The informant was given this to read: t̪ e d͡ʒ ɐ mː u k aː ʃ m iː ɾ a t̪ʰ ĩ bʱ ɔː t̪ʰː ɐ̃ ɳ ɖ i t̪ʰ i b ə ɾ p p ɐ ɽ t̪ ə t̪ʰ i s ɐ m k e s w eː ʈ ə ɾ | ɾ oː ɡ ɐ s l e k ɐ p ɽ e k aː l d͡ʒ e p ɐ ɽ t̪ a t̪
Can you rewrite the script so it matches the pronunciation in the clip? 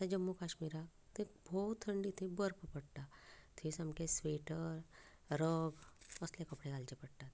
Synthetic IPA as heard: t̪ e d͡ʒ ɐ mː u k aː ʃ m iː ɾ a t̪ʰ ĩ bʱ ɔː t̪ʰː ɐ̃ ɳ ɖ i t̪ʰ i b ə ɾ p p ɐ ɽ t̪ a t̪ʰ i s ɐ m k e s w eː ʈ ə ɾ | ɾ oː ɡ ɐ s l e k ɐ p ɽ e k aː l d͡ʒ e p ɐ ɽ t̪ a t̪